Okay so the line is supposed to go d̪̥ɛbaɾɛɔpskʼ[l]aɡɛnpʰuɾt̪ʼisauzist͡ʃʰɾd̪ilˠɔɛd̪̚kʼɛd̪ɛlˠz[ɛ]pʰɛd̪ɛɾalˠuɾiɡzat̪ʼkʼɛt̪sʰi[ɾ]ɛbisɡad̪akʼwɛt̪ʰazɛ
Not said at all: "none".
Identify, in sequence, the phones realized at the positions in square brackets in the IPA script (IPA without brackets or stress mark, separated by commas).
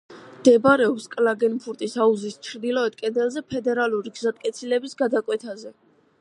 l, ɛ, l